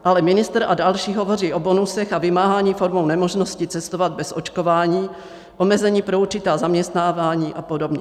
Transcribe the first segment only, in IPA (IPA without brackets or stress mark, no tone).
ʔ